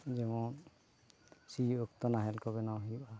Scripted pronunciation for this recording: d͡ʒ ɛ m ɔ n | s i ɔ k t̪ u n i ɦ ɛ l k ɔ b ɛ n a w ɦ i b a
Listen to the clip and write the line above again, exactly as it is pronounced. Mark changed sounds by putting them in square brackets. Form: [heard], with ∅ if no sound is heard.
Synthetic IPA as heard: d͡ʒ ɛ m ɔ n | s i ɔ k t̪ [ɔ] n [a] ɦ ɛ l k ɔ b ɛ n a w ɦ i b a